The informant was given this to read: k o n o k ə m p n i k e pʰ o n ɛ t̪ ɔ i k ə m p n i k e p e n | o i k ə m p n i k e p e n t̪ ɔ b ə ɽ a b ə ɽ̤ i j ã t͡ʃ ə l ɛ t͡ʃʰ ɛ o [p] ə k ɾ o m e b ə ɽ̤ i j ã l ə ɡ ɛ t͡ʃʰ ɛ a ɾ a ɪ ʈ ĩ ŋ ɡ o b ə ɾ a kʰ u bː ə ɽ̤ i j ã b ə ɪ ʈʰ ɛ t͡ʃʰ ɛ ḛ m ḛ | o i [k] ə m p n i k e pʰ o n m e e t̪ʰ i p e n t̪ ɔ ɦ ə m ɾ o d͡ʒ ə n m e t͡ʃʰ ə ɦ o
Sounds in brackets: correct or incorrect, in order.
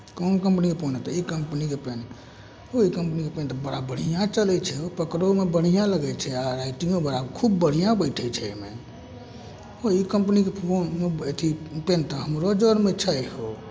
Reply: correct, correct

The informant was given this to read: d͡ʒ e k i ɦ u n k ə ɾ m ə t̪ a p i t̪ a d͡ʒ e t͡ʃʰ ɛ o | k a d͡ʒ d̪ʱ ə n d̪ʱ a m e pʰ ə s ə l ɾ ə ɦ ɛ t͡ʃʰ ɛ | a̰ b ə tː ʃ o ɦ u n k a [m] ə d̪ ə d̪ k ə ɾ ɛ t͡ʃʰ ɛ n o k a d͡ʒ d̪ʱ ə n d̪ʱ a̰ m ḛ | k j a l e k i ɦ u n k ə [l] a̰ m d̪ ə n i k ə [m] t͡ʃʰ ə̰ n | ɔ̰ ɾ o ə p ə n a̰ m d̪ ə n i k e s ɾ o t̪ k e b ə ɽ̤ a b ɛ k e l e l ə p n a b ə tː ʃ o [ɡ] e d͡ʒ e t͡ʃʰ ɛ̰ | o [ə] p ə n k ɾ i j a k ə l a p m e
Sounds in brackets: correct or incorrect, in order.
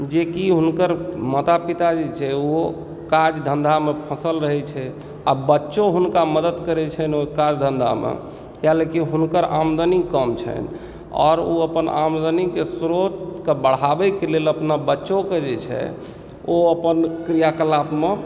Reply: correct, incorrect, correct, incorrect, correct

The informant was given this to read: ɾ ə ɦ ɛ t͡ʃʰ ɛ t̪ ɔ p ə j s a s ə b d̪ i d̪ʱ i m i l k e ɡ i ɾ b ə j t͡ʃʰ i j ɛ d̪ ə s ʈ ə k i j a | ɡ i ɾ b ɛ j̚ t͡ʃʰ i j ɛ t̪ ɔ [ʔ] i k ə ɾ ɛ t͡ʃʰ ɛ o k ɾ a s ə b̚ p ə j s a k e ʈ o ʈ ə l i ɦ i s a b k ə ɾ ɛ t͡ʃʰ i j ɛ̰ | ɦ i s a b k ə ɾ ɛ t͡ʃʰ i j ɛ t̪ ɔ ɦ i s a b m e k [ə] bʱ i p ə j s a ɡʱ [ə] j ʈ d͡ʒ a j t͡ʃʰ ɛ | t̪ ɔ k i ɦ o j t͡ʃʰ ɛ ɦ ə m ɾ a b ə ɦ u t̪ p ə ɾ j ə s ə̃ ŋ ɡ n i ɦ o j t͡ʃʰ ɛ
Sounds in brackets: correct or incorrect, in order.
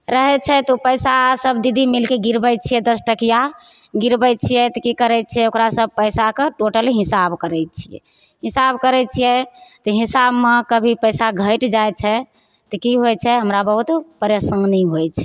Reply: incorrect, correct, correct

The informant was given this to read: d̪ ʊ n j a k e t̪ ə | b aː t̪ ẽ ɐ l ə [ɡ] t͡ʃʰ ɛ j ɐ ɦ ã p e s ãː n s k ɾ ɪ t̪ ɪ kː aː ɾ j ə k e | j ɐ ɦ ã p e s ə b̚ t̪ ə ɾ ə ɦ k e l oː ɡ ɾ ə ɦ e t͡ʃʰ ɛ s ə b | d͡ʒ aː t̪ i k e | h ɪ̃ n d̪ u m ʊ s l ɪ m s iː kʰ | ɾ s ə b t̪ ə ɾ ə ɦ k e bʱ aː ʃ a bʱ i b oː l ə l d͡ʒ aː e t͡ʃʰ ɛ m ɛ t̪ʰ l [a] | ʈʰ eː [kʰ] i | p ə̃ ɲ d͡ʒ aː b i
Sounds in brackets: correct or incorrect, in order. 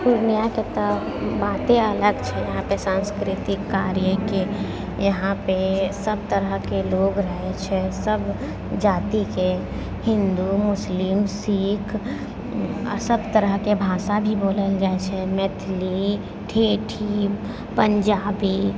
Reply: correct, incorrect, incorrect

